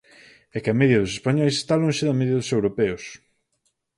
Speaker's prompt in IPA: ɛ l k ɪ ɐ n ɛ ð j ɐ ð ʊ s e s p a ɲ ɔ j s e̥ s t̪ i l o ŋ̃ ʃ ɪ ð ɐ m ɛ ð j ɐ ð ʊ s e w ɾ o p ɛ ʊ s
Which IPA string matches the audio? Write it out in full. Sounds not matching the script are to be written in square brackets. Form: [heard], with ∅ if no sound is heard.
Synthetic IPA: ɛ [∅] k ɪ ɐ [m] ɛ ð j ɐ ð ʊ s e s p a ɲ ɔ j s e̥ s t̪ [a] l o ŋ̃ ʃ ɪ ð ɐ m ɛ ð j ɐ ð ʊ s e w ɾ o p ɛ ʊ s